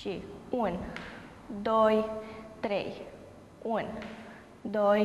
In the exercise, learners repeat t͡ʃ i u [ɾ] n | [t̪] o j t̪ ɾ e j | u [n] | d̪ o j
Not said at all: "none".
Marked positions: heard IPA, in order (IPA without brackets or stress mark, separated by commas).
none, d̪, n